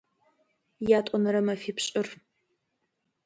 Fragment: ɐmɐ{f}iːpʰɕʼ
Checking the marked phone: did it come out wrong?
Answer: no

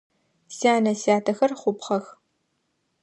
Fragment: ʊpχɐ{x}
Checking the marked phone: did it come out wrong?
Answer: no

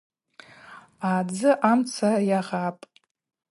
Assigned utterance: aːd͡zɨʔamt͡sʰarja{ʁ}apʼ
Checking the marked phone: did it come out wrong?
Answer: no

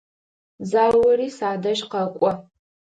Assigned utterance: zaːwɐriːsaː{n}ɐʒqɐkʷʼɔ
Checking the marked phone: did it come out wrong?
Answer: yes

